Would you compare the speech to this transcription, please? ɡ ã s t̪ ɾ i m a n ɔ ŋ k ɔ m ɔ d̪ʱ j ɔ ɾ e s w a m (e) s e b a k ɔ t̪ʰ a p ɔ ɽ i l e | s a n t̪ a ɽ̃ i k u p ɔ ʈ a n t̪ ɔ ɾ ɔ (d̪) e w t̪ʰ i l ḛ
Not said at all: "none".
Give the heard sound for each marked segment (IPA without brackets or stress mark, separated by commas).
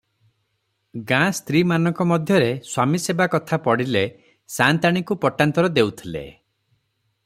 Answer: i, d̪